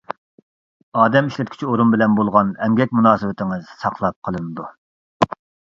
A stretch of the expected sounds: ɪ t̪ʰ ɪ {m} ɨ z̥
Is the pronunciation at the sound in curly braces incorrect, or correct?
incorrect